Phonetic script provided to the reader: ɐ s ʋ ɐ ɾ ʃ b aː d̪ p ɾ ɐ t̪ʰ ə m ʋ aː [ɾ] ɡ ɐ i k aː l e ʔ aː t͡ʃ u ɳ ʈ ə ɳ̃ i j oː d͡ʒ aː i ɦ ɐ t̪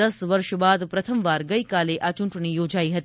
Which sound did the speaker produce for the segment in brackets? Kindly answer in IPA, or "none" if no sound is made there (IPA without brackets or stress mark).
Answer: ɾ